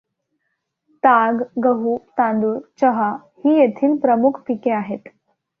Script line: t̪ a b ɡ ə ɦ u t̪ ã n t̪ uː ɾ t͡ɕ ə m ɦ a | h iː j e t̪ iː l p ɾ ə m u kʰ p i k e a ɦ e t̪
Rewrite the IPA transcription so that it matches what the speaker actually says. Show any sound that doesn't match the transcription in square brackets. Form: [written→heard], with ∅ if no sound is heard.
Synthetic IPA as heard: t̪ a [b→ɡ] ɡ ə ɦ u t̪ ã n [t̪→d̪] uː ɾ t͡ɕ ə [m→∅] ɦ a | h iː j e [t̪→t̪ʰ] iː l p ɾ ə m u kʰ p i k e a ɦ e t̪